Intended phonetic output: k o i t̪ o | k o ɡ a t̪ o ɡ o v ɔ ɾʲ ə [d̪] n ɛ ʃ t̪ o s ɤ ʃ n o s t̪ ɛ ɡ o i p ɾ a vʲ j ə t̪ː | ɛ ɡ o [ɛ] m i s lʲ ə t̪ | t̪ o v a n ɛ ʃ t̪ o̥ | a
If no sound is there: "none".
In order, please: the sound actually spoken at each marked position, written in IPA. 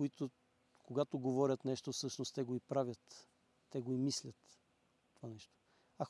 t̪, i

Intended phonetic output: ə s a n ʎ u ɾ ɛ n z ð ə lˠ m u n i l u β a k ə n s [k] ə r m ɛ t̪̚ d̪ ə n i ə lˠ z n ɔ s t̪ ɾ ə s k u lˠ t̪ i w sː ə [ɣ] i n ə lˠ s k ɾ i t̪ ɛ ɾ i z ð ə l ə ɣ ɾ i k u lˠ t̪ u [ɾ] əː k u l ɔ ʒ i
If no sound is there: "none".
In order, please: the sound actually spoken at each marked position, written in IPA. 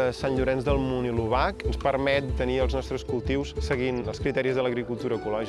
p, ɣ, ɾ

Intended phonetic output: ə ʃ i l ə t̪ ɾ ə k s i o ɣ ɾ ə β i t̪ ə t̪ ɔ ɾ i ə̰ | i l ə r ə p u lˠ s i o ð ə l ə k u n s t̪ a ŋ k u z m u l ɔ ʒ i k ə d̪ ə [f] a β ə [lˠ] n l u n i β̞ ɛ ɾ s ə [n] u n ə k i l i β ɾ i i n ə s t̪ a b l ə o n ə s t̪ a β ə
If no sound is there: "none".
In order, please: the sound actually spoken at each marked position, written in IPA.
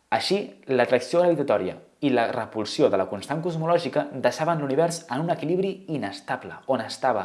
ʃ, none, n

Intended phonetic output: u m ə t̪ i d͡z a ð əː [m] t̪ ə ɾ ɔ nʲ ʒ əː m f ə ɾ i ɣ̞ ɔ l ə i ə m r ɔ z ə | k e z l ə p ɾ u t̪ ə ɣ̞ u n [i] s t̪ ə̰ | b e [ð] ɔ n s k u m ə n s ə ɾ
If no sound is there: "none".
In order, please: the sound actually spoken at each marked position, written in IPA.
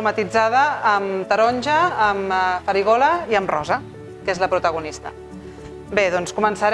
m, i, ð

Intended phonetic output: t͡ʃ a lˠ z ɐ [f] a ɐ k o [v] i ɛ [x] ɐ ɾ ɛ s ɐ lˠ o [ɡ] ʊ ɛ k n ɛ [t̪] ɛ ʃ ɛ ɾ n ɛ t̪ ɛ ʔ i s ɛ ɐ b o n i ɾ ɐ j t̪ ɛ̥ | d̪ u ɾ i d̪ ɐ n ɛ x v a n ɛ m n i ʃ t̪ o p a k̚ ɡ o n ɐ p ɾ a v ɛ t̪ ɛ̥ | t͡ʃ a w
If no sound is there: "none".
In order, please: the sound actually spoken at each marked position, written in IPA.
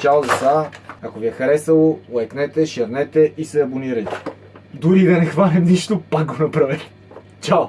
s, v, x, none, t̪

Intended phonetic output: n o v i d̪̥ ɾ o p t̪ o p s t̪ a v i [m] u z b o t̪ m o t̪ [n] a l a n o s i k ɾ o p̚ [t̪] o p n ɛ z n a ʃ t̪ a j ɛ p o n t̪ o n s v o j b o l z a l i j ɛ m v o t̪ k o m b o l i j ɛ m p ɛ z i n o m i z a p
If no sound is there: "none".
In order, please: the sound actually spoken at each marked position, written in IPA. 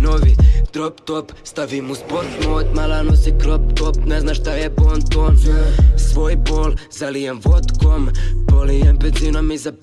m, m, t̪

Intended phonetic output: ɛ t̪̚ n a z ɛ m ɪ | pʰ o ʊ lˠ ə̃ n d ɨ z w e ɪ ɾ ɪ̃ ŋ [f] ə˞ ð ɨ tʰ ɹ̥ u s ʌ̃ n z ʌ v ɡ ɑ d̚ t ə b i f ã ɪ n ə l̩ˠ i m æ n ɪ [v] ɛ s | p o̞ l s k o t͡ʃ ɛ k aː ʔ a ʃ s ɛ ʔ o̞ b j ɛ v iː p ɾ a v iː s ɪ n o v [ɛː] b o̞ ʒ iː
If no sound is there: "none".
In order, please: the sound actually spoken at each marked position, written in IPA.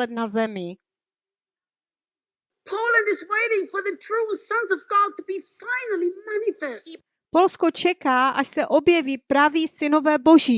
f, f, ɛː

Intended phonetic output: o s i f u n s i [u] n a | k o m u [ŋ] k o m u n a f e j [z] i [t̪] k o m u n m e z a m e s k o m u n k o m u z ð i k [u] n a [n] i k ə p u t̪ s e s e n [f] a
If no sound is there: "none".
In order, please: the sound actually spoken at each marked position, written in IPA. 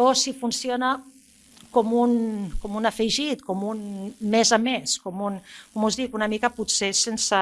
o, n, ʒ, t̪, u, m, s

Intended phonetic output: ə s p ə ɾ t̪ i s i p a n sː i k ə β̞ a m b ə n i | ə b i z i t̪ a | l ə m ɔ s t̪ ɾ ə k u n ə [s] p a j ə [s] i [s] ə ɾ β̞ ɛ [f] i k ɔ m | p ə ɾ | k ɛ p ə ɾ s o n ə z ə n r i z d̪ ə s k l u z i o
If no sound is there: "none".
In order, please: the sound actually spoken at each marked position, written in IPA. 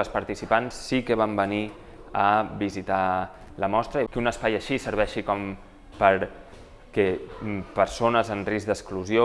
s, ʃ, s, ʃ

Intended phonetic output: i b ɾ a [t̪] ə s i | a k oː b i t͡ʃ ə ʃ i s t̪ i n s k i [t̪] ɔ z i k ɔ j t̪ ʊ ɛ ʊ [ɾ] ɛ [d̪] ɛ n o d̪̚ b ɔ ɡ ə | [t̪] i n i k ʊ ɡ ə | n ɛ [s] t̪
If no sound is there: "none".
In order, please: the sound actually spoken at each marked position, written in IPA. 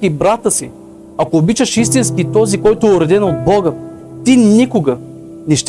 t̪, t̪, ɾ, d̪, t̪, ʃ

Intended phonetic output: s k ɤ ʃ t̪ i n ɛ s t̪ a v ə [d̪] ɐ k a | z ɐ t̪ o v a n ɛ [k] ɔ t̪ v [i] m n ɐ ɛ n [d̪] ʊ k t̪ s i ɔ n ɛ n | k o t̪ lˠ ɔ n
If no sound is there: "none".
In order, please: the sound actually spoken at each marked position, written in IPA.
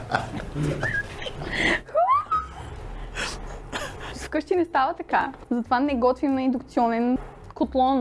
t̪, ɡ, i, d̪

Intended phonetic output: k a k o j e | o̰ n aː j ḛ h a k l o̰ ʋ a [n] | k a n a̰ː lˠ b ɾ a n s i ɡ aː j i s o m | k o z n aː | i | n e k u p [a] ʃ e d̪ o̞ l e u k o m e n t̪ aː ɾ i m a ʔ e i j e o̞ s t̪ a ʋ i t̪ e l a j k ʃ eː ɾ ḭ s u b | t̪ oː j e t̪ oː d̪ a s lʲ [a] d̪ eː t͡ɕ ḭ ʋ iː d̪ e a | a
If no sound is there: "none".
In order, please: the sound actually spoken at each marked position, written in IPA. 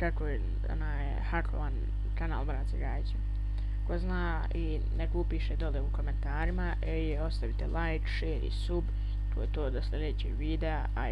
n, i, e

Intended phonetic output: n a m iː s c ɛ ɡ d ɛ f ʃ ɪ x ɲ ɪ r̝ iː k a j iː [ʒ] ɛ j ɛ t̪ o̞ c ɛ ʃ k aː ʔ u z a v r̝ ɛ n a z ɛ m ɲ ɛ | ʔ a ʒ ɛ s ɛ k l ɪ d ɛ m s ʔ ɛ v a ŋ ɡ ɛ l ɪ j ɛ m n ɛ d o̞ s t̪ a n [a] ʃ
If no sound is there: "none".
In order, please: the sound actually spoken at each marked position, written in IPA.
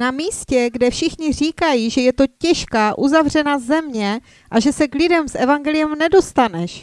ʒ, ɛ

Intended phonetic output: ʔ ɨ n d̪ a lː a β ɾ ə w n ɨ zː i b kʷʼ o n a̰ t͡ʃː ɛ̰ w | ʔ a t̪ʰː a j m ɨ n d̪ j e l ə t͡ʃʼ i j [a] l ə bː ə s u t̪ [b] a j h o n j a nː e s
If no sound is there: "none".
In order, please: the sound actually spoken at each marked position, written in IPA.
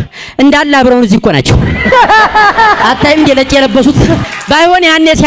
ɛ, b

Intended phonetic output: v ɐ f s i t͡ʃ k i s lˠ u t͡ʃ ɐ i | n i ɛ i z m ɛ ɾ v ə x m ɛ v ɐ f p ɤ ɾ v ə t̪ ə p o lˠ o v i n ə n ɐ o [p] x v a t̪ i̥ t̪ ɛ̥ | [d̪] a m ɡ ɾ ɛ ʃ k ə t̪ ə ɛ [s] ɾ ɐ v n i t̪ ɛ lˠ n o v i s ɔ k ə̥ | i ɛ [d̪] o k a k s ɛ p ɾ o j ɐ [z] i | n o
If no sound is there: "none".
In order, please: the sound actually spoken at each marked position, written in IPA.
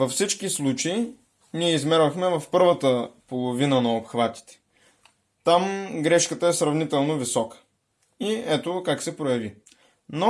p, t̪, s, t̪, v

